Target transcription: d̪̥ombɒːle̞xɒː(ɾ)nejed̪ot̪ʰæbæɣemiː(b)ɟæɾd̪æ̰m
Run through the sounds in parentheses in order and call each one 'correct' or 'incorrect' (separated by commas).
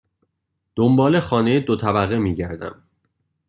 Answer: incorrect, incorrect